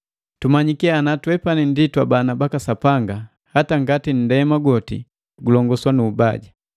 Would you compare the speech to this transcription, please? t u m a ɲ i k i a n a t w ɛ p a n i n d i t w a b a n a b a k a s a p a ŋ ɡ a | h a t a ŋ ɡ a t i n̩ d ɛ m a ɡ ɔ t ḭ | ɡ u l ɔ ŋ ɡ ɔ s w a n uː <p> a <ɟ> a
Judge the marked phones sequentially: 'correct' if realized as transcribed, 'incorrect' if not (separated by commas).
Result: incorrect, correct